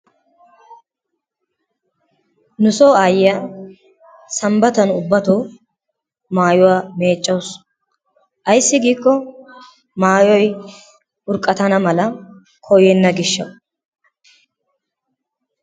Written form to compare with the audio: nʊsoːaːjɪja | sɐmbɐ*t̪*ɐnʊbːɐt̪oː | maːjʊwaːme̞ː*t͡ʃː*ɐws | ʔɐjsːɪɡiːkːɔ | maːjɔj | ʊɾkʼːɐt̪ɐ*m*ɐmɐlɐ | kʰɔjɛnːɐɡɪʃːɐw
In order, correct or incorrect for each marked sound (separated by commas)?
correct, incorrect, incorrect